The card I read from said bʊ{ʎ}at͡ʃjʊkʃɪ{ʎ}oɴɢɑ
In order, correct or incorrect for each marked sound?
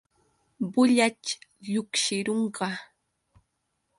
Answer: correct, incorrect: ɾ

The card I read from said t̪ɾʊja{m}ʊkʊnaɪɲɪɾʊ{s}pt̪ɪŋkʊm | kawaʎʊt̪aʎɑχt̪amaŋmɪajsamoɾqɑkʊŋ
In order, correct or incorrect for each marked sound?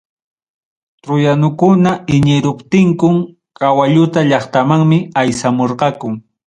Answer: incorrect: n, incorrect: none

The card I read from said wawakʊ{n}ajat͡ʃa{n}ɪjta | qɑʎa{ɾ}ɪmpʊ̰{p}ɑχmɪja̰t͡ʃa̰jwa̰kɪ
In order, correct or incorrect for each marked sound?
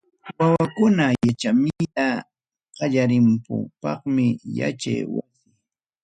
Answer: correct, incorrect: m, correct, correct

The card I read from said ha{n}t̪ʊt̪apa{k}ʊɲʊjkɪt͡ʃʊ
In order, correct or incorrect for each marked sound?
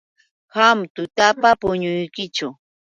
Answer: incorrect: m, incorrect: p

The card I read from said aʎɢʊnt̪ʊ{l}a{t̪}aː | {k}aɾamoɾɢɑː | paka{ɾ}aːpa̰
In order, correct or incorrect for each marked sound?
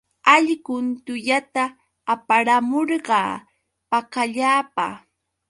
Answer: incorrect: ʎ, correct, incorrect: p, incorrect: ʎ

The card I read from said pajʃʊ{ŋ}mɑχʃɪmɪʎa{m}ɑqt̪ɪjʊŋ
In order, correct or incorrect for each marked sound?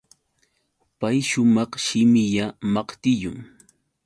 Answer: incorrect: none, correct

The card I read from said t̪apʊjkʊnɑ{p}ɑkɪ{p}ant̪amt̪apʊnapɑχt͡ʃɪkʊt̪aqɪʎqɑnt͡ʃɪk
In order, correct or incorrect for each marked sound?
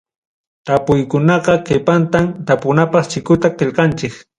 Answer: incorrect: q, correct

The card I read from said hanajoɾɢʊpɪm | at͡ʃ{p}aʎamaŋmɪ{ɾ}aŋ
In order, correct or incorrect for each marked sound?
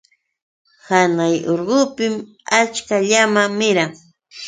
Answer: incorrect: k, correct

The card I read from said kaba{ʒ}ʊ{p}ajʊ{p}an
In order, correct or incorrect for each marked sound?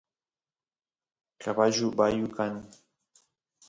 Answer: correct, incorrect: b, incorrect: k

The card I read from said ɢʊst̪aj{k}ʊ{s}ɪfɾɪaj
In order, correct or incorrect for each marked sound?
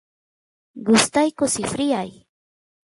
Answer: correct, correct

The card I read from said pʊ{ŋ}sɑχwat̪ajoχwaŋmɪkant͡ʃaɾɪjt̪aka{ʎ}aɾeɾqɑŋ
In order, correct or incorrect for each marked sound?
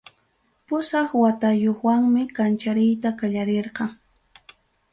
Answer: incorrect: none, correct

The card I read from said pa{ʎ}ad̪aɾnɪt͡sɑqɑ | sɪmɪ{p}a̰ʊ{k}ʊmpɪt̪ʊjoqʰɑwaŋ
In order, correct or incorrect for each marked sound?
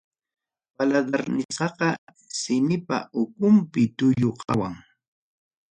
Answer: incorrect: l, correct, correct

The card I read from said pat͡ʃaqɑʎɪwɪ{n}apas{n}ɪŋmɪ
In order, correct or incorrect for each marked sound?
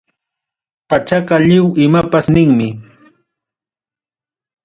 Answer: incorrect: m, correct

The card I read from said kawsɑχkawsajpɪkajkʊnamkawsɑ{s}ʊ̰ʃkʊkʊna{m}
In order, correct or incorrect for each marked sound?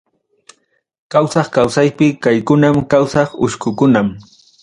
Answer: incorrect: χ, correct

